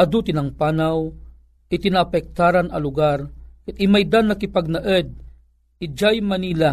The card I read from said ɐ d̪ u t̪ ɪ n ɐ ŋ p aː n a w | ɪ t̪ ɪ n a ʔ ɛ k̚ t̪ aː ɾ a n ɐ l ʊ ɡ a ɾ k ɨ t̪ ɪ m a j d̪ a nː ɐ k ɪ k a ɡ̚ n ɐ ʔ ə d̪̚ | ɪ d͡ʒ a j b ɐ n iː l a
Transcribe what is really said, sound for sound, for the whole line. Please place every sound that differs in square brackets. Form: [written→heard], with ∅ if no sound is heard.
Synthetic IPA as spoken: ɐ d̪ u t̪ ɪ n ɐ ŋ p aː n a w | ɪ t̪ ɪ n a [ʔ→p] ɛ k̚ t̪ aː ɾ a n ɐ l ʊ ɡ a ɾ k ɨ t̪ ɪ m a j d̪ a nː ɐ k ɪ [k→p] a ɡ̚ n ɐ ʔ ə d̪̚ | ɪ d͡ʒ a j [b→m] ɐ n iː l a